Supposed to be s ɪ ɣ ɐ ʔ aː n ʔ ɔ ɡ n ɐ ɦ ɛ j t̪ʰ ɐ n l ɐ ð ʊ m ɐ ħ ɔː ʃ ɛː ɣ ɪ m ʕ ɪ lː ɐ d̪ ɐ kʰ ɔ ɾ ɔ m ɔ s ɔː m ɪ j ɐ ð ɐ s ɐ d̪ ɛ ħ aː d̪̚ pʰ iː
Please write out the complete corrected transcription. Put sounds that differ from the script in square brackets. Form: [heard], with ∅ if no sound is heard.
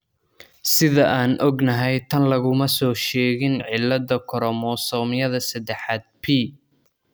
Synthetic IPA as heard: s ɪ [ð] ɐ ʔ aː n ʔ ɔ ɡ n ɐ ɦ ɛ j t̪ʰ ɐ n l ɐ [ɣ] ʊ m ɐ [s] ɔː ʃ ɛː ɣ ɪ [n] ʕ ɪ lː ɐ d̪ ɐ kʰ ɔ ɾ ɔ m ɔ s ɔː m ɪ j ɐ ð ɐ s ɐ d̪ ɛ ħ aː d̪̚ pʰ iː